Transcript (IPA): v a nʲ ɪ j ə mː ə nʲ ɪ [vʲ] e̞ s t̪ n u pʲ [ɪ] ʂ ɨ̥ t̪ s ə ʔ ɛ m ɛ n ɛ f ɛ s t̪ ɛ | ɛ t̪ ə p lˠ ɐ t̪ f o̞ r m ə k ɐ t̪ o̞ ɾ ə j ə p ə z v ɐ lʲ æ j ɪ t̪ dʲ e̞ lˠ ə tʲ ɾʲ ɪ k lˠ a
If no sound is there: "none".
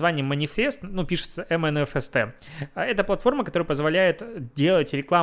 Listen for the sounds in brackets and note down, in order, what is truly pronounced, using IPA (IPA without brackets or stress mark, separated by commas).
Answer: fʲ, i